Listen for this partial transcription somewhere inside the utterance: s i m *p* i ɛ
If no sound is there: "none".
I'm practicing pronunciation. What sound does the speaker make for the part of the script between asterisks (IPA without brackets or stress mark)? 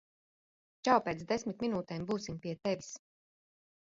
p